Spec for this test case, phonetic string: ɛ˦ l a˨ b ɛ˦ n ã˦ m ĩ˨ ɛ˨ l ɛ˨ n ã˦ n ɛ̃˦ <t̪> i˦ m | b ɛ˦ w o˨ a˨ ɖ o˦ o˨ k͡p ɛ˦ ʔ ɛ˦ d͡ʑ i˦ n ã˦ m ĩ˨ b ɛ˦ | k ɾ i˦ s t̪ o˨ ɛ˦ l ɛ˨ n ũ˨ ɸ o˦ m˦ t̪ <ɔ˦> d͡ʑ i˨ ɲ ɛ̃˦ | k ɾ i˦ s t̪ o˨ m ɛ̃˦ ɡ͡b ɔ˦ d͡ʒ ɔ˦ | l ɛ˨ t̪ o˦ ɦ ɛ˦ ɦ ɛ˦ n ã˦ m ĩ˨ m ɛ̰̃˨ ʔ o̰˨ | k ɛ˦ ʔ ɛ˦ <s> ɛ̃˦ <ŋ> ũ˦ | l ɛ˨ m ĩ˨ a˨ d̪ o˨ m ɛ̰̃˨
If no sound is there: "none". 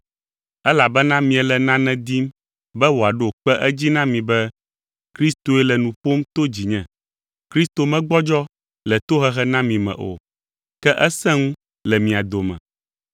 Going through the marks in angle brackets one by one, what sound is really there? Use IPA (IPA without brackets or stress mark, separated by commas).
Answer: d̪, o˦, s, ŋ